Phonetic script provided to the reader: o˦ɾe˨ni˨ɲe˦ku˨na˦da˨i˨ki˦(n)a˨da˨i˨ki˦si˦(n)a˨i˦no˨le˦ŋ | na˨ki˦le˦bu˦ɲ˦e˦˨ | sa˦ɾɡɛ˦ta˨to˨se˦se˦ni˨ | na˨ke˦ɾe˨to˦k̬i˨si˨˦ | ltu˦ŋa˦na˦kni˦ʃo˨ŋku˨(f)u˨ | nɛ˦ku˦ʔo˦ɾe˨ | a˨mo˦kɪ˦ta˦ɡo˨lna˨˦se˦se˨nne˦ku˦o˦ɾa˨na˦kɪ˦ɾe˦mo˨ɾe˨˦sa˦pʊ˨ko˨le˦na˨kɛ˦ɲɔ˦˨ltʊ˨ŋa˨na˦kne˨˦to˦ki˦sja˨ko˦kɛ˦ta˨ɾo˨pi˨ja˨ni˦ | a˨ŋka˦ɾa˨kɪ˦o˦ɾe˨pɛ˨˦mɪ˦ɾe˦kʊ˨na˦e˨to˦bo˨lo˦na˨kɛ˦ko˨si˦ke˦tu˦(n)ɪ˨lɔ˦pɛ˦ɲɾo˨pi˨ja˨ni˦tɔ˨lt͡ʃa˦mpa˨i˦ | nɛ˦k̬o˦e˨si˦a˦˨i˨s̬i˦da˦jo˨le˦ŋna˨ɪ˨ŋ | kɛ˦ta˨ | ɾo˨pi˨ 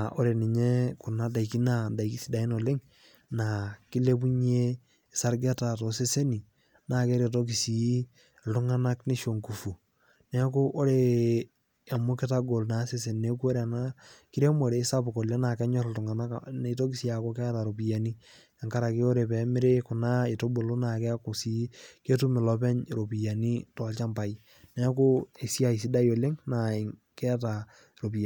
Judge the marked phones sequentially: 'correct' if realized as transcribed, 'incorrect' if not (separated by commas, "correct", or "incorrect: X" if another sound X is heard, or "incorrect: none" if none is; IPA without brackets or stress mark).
correct, incorrect: d, correct, incorrect: m